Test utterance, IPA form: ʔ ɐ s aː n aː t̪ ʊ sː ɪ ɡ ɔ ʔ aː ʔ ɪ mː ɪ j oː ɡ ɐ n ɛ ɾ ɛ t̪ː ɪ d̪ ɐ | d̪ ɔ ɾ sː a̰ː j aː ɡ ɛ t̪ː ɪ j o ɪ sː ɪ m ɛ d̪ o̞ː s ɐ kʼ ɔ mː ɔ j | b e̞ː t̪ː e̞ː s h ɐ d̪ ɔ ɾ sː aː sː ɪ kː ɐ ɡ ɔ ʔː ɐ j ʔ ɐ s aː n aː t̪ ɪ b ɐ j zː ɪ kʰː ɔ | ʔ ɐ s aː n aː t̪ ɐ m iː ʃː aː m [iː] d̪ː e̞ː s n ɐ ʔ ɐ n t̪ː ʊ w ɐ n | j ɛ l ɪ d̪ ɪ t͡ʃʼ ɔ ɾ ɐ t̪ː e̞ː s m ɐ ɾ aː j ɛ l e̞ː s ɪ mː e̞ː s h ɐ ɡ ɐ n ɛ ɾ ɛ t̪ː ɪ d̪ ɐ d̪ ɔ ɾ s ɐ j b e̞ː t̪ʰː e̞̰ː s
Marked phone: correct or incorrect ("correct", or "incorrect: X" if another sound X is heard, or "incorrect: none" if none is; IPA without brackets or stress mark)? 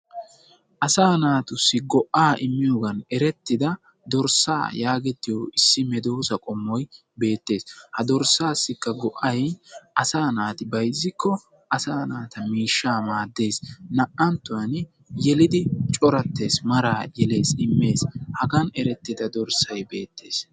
incorrect: aː